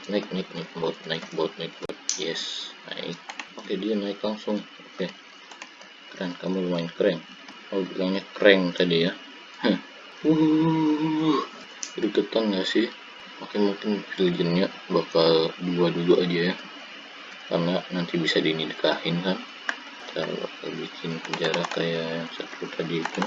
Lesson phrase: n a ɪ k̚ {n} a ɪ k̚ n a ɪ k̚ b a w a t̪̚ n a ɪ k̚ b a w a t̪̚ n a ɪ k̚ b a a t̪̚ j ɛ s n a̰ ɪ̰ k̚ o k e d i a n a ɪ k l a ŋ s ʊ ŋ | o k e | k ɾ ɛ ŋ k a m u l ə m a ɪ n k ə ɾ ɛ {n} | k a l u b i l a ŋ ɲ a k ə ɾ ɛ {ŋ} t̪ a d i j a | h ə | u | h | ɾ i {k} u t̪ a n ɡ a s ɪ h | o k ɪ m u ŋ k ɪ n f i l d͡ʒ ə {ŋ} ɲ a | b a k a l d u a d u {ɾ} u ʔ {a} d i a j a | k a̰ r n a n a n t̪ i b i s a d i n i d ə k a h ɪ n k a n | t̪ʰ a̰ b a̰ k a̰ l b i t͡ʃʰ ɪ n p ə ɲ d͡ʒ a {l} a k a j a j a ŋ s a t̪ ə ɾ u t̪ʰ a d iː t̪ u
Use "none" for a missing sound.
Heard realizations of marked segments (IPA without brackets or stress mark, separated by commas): n, ŋ, ŋ, k, n, l, a, ɾ